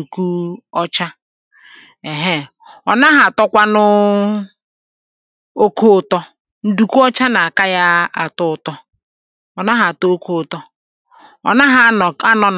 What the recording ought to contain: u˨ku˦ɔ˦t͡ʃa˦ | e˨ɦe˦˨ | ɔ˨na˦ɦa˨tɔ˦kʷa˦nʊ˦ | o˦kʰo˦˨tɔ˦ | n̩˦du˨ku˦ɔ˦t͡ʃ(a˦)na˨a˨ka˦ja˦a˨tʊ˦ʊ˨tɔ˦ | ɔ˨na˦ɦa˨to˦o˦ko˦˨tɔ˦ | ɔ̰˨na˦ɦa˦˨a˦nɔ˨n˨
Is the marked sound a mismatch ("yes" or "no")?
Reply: no